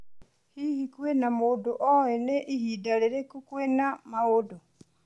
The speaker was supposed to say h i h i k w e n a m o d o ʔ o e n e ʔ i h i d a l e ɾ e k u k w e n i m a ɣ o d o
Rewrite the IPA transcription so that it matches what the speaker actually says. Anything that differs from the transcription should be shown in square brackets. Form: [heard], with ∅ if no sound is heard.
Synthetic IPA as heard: h i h i k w e n a m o d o ʔ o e n e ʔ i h i d a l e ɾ e k u k w e n [a] m a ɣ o d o